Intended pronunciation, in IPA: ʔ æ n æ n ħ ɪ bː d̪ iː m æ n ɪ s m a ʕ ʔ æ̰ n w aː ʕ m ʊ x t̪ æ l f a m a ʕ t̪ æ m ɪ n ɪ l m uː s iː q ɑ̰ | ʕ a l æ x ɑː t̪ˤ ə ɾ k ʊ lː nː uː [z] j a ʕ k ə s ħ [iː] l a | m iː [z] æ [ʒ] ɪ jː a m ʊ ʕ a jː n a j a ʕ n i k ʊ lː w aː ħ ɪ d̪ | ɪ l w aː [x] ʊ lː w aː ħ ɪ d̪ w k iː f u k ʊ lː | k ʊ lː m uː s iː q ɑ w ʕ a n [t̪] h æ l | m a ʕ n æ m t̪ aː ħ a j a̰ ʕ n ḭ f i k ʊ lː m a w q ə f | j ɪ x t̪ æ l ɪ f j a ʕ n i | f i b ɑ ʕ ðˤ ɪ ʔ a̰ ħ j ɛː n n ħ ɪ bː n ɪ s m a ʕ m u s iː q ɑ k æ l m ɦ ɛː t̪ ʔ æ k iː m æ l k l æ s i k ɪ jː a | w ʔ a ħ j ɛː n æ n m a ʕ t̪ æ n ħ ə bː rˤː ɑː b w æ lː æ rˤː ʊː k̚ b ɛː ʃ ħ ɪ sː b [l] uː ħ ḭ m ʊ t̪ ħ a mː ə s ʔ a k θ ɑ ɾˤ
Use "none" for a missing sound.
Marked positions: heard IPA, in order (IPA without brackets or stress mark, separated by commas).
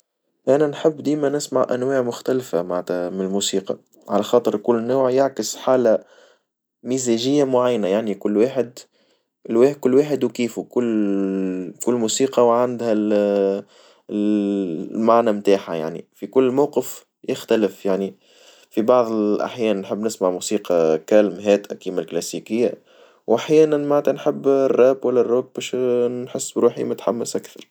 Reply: ʕ, aː, z, ʒ, k, d̪, ɾ